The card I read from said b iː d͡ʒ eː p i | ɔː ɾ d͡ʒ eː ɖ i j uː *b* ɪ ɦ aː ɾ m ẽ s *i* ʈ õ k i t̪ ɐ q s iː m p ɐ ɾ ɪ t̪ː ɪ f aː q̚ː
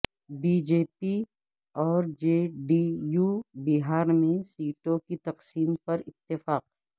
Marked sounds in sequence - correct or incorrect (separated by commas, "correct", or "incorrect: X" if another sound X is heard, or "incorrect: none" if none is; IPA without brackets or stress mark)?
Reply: correct, incorrect: iː